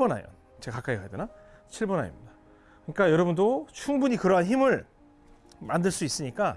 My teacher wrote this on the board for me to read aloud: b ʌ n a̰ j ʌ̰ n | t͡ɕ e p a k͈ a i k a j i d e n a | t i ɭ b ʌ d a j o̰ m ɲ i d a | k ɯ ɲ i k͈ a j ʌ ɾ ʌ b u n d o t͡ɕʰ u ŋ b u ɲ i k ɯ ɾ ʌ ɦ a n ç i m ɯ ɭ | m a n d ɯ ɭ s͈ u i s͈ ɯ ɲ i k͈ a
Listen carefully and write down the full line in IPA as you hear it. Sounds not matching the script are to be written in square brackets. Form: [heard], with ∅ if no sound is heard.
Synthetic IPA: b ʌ n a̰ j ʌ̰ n | t͡ɕ e [k] a k͈ a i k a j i d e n a | [t͡ɕʰ] i ɭ b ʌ [n] a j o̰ m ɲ i d a | k ɯ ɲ i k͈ a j ʌ ɾ ʌ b u n d o t͡ɕʰ u ŋ b u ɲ i k ɯ ɾ ʌ ɦ a n ç i m ɯ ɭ | m a n d ɯ ɭ s͈ u i s͈ ɯ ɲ i k͈ a